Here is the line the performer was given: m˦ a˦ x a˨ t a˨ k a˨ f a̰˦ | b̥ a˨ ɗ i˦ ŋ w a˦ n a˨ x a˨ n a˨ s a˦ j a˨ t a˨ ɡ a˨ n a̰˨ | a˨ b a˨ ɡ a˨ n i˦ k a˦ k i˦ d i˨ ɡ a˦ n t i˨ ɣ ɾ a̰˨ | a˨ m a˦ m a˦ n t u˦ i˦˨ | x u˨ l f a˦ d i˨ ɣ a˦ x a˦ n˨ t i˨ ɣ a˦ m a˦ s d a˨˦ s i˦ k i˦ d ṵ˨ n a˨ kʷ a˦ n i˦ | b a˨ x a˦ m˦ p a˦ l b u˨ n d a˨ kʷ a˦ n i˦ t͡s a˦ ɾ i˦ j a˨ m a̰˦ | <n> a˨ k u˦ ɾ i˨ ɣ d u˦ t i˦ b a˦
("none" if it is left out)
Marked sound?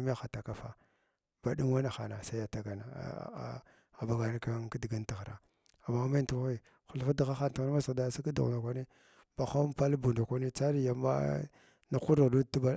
n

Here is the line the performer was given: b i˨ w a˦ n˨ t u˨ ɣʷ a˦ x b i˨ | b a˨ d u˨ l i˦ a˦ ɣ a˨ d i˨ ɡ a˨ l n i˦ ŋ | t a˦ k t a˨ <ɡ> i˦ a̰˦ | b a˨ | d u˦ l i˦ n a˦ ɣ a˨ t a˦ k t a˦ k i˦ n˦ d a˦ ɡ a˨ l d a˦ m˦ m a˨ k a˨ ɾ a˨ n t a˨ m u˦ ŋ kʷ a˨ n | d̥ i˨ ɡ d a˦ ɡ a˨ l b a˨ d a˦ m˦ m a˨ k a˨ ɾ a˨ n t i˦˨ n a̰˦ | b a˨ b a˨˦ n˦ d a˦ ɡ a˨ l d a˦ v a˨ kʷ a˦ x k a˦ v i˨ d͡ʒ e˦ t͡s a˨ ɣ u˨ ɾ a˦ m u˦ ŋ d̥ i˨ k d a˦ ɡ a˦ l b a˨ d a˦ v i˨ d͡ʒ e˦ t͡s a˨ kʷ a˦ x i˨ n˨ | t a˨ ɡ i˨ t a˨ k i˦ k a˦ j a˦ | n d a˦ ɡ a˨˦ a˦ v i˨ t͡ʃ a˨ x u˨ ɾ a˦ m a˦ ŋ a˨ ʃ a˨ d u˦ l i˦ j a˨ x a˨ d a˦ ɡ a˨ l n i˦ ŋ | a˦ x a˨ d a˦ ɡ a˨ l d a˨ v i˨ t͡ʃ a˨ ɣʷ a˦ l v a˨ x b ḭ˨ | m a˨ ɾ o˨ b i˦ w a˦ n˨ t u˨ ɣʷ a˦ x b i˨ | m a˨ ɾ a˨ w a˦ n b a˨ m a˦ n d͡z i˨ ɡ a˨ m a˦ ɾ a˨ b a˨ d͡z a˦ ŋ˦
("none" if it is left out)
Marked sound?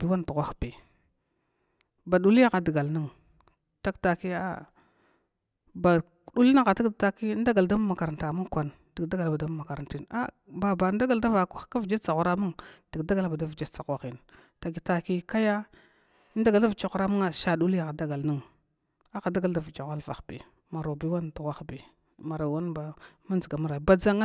k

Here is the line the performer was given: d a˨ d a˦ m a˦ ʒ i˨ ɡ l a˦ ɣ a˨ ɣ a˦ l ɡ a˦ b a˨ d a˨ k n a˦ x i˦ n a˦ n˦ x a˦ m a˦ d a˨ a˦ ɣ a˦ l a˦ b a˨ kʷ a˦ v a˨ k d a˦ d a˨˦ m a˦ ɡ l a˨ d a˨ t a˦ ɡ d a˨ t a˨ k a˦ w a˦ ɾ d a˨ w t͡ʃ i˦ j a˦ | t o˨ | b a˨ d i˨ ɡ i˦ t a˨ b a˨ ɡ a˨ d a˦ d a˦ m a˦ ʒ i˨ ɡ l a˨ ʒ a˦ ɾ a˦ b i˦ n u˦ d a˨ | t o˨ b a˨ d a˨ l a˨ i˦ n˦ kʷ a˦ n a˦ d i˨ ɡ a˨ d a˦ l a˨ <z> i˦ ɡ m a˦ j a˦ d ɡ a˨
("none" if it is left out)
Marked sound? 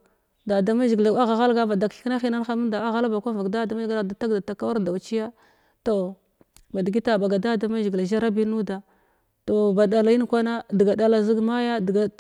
z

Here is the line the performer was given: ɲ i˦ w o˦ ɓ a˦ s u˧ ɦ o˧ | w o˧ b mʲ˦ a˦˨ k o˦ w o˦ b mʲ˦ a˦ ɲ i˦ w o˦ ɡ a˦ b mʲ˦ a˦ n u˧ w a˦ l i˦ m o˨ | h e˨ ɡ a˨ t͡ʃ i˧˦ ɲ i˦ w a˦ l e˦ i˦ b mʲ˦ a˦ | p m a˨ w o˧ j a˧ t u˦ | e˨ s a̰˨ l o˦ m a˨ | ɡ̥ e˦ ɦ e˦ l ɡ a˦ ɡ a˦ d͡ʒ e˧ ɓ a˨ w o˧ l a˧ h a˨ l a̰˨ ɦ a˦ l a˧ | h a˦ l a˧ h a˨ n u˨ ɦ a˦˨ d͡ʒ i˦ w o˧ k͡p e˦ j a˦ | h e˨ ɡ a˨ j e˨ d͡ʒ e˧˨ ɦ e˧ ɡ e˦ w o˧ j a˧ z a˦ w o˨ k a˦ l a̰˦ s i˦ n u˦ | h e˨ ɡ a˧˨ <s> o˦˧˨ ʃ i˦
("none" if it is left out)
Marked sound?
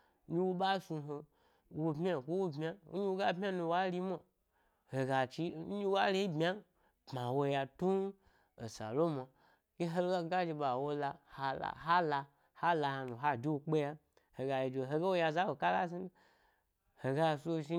s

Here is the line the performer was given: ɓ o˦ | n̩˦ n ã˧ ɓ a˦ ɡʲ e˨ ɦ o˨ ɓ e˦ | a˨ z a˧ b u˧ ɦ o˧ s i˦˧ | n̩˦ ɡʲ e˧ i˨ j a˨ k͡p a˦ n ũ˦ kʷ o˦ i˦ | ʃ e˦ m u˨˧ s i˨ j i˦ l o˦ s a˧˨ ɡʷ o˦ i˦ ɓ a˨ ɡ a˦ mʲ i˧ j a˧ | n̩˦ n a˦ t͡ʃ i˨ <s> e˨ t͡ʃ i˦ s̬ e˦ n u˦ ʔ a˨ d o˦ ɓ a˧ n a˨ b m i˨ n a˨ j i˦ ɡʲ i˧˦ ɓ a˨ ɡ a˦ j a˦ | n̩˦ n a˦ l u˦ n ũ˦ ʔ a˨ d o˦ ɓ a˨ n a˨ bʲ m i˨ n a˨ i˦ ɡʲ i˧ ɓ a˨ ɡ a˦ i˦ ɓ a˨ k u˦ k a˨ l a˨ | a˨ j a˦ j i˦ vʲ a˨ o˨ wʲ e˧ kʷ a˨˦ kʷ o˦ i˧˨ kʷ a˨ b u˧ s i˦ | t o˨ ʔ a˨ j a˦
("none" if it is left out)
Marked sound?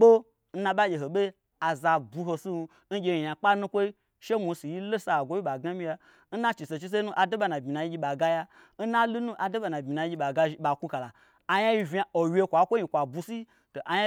s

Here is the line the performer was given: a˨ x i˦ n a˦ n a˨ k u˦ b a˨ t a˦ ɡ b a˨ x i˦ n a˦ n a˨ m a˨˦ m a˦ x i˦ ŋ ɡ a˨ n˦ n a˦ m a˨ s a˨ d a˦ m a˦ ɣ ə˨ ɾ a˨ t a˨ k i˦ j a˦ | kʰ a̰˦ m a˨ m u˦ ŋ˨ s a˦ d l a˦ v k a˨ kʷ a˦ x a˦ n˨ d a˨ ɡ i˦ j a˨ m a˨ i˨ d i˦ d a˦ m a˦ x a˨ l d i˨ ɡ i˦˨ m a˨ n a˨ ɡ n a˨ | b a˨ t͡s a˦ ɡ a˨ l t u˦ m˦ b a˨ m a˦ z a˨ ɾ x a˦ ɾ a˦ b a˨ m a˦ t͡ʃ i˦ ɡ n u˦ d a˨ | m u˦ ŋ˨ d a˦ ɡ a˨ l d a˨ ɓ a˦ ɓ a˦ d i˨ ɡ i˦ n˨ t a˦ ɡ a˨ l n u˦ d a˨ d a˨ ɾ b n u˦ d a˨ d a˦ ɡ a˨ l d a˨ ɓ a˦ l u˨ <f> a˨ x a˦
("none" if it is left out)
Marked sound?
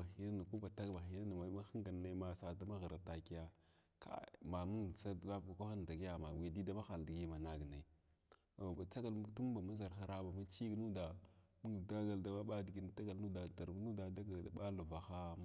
v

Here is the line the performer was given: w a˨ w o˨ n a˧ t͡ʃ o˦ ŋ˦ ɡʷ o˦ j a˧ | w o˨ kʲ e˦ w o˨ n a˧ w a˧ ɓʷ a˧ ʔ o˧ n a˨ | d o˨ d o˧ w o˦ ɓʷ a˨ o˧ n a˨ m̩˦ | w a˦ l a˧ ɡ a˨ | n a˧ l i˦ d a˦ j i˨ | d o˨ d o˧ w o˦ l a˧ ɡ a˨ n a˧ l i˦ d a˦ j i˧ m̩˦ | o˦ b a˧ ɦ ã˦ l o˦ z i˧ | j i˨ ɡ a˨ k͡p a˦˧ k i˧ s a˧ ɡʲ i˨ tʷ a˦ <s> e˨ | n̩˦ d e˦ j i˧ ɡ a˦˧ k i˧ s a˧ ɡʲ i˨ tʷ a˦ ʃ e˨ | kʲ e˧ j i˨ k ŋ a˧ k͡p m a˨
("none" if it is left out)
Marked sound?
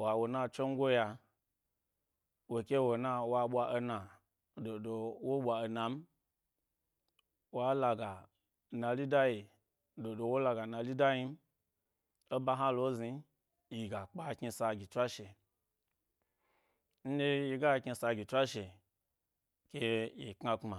ʃ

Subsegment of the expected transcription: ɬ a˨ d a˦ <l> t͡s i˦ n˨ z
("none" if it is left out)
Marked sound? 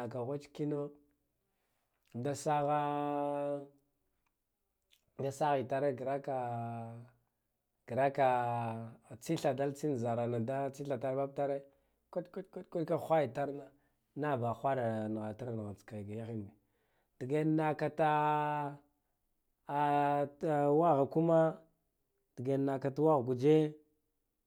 l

